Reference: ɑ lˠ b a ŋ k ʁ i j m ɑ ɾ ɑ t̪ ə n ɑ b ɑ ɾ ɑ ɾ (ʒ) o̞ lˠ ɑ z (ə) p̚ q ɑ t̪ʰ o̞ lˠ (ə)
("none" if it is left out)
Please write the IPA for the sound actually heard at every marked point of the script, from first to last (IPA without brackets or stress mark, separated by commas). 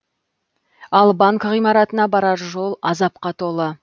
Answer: ʒ, ɑ, ə